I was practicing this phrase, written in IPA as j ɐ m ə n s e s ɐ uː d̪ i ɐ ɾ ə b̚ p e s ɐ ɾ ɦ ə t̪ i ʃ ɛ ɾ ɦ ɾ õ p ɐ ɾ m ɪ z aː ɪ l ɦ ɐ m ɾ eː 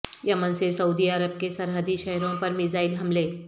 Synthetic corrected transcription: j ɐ m ə n s e s ɐ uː d̪ i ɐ ɾ ə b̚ k e s ɐ ɾ ɦ ə d̪ i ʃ ɛ ɦ ɾ õ p ɐ ɾ m ɪ z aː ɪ l ɦ ɐ m l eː